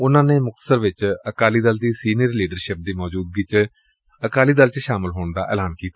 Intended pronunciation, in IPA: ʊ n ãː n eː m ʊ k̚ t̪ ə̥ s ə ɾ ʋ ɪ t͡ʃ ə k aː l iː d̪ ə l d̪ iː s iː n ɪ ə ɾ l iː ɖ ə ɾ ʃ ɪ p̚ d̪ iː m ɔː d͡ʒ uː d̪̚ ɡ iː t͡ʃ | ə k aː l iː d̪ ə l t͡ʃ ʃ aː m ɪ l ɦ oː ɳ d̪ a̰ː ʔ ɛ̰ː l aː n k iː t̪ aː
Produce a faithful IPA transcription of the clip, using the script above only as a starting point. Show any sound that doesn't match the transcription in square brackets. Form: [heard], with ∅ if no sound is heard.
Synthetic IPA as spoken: ʊ n ãː n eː m ʊ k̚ t̪ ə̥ s ə ɾ ʋ ɪ t͡ʃ ə k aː l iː d̪ ə l d̪ iː s iː n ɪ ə ɾ l iː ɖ ə ɾ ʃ ɪ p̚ d̪ iː m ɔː d͡ʒ uː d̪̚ ɡ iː t͡ʃ | ə k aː l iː d̪ ə l t͡ʃ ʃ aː m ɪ l ɦ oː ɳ d̪ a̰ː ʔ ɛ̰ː l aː n k iː t̪ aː